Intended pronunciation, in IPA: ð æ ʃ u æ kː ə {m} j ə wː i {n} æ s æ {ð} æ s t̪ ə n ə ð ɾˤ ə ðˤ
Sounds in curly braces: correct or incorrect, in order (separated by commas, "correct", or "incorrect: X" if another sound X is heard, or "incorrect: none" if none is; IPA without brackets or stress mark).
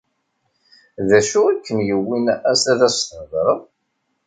incorrect: n, correct, correct